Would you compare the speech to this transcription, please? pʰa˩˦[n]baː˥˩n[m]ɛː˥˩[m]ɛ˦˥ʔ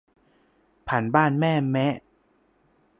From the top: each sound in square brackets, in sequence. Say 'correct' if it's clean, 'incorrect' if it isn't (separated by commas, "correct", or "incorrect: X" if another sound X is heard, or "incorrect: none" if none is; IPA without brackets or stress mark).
correct, correct, correct